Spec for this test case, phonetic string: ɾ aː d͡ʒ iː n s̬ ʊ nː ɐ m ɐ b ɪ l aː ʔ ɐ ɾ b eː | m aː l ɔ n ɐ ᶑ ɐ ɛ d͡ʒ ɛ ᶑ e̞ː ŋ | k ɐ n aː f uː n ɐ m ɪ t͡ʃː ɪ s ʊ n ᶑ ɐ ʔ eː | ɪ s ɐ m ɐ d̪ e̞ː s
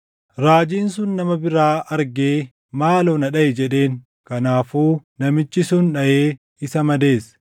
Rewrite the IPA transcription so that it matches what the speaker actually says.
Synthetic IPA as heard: ɾ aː d͡ʒ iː n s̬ ʊ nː ɐ m ɐ b ɪ ɾ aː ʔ ɐ ɾ ɡ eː | m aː l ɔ n ɐ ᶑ ɐ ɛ d͡ʒ ɛ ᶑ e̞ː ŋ | k ɐ n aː f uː n ɐ m ɪ t͡ʃː ɪ s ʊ n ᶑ ɐ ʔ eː | ɪ s ɐ m ɐ d̪ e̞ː s